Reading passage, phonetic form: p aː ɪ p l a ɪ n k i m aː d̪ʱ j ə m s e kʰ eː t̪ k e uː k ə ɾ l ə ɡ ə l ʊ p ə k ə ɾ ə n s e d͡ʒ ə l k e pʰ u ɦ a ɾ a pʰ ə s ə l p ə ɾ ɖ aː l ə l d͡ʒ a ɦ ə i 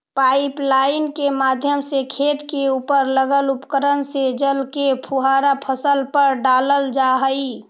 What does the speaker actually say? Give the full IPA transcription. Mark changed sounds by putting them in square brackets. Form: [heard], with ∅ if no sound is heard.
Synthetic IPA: p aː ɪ p l a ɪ n k [e] m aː d̪ʱ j ə m s e kʰ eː t̪ k e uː [p] ə ɾ l ə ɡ ə l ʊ p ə k ə ɾ ə n s e d͡ʒ ə l k e pʰ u ɦ a ɾ a pʰ ə s ə l p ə ɾ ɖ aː l ə l d͡ʒ a ɦ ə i